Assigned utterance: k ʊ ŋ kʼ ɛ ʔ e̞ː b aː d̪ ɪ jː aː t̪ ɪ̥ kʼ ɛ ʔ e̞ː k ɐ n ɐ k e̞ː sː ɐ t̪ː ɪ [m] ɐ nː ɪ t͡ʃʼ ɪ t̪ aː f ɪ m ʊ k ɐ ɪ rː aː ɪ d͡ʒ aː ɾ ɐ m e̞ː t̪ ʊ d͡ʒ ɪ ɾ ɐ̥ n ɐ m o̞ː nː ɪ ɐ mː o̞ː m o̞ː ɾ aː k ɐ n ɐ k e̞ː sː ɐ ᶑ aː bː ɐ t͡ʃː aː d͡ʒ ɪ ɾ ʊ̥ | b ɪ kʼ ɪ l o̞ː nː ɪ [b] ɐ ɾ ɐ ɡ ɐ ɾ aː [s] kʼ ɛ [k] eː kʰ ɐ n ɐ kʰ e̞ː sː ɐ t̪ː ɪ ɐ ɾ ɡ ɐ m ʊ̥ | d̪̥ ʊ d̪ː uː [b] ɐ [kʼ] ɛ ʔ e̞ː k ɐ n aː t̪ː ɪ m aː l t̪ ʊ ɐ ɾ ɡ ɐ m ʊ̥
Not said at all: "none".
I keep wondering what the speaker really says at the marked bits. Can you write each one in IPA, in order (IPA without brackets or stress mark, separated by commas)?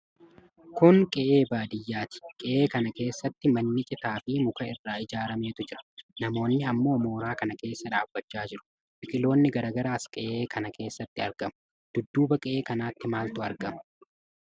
m, ɡ, s, ʔ, b, kʼ